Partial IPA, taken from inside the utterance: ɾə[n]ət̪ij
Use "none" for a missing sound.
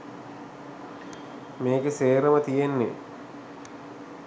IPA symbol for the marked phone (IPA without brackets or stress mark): m